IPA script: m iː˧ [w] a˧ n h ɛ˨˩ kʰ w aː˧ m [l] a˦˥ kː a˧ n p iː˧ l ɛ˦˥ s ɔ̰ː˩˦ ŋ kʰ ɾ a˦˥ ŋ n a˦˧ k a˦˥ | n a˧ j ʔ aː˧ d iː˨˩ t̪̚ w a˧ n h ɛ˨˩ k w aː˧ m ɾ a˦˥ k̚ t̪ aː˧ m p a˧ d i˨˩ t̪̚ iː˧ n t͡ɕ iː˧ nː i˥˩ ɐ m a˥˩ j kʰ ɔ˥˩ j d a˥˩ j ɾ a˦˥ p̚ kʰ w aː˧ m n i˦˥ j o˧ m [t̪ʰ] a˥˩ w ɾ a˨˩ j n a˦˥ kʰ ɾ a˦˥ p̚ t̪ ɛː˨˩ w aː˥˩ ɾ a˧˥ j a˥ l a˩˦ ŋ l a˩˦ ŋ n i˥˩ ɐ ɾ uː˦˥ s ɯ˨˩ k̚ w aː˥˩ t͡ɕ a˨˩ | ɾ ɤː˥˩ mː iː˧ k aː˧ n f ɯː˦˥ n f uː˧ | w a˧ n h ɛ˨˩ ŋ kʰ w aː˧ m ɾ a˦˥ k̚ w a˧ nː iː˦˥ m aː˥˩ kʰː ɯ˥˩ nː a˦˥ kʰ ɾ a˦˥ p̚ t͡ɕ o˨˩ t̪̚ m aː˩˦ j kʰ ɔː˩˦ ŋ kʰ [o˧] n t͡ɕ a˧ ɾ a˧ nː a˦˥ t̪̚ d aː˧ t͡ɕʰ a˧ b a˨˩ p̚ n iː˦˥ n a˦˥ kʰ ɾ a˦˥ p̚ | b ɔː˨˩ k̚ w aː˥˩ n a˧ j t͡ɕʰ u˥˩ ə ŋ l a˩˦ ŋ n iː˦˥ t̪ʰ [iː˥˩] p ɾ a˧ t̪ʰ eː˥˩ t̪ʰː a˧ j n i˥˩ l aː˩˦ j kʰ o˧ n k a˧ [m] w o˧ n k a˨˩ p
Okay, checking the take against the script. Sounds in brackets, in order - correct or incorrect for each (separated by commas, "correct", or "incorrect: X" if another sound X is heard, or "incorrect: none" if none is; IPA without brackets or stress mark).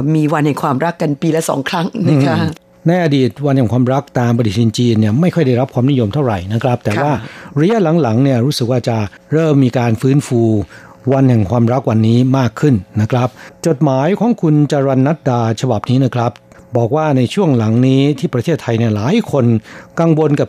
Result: correct, incorrect: ɾ, correct, incorrect: u˧, correct, incorrect: ŋ